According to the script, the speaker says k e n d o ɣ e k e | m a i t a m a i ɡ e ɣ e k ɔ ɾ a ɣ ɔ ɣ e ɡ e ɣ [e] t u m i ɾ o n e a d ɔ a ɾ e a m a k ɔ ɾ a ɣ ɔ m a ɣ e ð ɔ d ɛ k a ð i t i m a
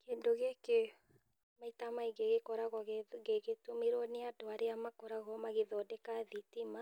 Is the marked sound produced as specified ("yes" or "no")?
yes